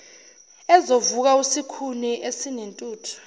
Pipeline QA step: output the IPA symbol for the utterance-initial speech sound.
ɛ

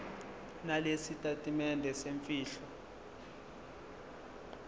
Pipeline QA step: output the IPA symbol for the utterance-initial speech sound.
n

